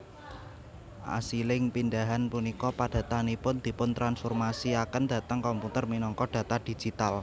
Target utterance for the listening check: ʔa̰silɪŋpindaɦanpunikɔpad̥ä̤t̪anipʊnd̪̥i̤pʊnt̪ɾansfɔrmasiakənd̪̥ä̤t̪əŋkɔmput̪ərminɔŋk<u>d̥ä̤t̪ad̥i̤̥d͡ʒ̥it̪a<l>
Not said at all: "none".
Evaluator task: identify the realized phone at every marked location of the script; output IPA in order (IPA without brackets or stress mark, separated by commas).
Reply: ɔ, l